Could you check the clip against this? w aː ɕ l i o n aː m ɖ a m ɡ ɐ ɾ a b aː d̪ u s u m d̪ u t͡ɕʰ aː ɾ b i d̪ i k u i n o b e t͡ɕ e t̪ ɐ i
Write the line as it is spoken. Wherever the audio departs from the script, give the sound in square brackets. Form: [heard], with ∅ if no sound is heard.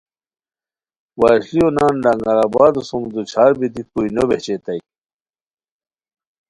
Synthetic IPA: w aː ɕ l i o n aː [n] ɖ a [ŋ] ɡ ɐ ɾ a b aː d̪ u s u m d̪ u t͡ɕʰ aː ɾ b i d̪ i k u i n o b e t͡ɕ e t̪ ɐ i